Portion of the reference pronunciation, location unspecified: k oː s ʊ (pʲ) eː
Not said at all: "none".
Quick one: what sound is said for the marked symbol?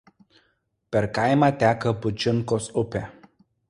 pʲ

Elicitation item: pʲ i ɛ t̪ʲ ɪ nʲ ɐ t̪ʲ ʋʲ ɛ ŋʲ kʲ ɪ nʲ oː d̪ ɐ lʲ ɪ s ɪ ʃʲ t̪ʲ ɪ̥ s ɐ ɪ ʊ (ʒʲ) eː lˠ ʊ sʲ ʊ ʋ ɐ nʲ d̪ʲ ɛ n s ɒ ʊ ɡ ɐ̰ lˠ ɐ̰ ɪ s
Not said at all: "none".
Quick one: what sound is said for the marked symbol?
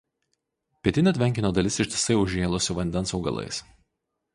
ʒʲ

